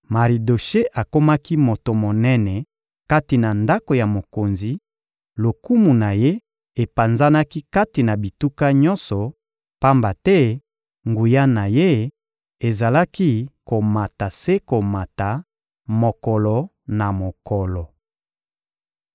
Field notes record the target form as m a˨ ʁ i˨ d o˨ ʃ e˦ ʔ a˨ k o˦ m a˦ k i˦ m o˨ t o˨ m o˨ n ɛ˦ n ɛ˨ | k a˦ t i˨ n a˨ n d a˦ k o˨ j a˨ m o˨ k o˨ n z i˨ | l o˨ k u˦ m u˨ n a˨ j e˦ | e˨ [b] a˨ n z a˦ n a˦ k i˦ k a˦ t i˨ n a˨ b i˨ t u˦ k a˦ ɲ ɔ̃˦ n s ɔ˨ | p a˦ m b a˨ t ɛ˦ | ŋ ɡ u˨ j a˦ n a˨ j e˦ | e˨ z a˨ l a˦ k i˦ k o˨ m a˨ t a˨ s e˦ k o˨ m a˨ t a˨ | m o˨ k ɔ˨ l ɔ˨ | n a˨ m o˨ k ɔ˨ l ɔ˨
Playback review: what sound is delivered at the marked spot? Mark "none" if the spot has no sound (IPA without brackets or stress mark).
p